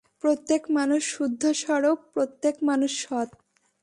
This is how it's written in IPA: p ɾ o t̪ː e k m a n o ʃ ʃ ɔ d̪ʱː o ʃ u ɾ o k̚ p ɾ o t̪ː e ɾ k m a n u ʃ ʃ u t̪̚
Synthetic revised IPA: p ɾ o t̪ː e k m a n u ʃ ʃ u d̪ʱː o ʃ ɔ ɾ o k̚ p ɾ o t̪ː e k m a n u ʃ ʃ ɔ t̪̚